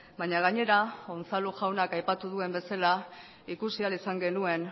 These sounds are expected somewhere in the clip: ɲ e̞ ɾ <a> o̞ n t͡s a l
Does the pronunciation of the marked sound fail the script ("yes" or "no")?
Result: no